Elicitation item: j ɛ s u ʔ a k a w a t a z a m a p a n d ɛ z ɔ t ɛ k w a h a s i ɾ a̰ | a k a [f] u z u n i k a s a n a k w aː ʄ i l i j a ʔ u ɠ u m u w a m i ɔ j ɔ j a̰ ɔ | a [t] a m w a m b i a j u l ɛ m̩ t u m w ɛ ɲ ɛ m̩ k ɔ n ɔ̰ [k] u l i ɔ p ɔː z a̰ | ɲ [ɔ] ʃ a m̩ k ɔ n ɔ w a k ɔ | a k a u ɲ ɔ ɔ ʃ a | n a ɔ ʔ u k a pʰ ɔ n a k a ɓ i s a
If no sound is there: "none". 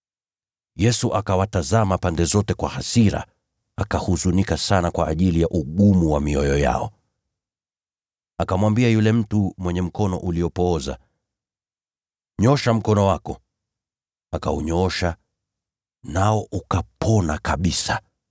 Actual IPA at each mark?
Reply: h, k, ʔ, ɔ

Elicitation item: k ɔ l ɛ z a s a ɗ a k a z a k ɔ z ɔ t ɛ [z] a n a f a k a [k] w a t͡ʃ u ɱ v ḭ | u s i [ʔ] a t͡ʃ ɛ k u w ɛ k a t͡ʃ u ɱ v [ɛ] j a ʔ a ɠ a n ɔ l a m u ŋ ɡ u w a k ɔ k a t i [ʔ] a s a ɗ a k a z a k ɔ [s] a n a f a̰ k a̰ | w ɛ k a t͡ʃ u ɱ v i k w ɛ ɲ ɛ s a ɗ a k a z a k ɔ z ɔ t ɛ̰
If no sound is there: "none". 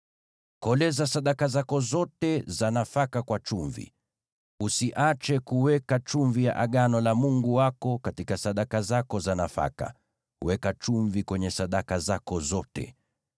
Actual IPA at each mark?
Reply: z, k, ʔ, i, k, z

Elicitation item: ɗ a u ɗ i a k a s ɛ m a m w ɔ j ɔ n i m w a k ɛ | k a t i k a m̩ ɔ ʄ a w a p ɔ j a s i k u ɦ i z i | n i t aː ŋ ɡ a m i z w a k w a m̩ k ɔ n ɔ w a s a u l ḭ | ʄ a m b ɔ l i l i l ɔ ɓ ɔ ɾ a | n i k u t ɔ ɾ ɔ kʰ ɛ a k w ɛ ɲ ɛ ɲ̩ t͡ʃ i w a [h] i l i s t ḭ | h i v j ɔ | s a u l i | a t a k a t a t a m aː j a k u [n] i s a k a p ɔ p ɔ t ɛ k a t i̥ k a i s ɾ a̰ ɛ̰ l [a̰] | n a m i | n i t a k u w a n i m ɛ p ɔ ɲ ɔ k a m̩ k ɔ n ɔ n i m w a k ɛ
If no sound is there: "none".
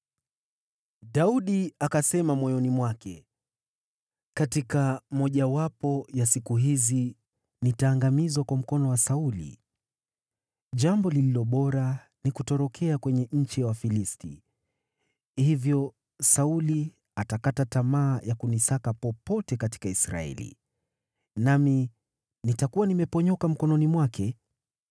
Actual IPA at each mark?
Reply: f, n, ḭ

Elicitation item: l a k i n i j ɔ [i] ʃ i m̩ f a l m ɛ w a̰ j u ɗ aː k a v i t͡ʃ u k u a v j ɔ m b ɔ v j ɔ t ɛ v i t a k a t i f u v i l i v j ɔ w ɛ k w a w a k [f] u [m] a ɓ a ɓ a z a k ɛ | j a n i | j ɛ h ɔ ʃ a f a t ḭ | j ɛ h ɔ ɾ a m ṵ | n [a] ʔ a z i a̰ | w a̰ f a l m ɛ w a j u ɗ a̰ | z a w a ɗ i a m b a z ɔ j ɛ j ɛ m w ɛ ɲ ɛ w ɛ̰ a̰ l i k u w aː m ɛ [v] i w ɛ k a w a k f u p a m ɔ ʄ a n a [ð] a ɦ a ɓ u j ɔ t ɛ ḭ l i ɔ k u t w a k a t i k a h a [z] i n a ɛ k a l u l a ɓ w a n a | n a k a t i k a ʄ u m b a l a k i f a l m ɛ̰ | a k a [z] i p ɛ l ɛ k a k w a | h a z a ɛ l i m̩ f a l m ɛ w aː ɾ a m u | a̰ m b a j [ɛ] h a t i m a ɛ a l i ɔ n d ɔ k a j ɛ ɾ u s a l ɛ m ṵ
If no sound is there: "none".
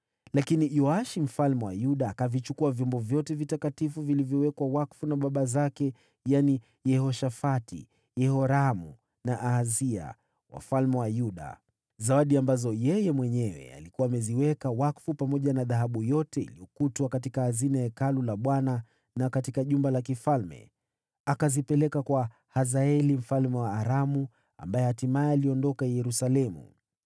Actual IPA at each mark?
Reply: a, f, n, a, z, ð, z, z, ɛ

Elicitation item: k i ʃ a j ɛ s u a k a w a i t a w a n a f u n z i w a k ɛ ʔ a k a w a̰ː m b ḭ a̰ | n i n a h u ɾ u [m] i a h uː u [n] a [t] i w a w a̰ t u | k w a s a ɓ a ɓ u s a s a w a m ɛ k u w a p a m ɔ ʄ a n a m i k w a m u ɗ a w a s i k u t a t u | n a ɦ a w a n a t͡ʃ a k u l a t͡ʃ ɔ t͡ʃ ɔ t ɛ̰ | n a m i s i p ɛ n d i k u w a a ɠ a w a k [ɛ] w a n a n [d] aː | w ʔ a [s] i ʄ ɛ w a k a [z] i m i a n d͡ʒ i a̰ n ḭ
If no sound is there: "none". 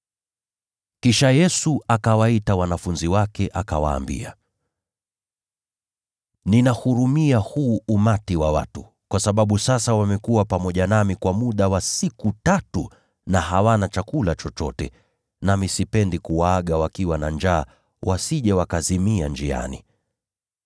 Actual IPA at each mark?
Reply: m, m, t, i, d͡ʒ, s, z

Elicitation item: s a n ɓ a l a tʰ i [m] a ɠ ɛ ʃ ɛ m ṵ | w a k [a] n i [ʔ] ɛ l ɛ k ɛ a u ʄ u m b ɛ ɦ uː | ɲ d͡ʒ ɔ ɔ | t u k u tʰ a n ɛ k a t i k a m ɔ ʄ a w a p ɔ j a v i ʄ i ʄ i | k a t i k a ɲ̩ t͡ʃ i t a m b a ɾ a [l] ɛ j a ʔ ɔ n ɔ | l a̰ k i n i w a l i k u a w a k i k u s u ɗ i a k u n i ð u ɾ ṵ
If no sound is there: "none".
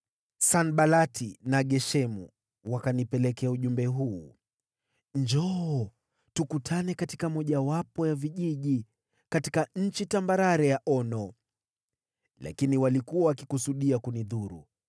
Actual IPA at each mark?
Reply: n, a, p, ɾ

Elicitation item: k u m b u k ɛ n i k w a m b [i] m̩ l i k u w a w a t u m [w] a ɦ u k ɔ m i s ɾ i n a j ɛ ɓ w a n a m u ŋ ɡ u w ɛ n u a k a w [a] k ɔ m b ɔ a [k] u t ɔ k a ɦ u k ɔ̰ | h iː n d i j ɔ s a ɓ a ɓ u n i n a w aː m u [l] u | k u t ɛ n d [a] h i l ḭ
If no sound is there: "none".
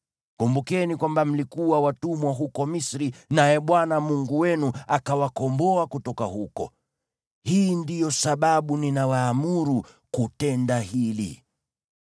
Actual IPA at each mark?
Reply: a, w, a, k, ɾ, a

